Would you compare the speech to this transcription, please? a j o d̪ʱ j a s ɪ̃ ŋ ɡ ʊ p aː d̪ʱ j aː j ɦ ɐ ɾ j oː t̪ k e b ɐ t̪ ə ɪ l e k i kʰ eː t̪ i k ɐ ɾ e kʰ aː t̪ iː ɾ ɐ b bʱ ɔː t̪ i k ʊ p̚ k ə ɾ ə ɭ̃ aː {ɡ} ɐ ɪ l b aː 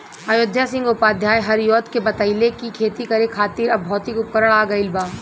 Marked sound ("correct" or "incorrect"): correct